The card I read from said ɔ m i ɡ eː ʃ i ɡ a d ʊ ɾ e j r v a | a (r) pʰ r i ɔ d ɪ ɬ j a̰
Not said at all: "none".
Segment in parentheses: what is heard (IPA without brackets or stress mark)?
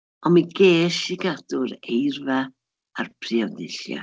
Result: r